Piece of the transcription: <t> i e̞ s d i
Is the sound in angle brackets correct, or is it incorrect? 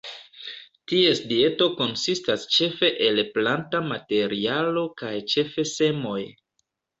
correct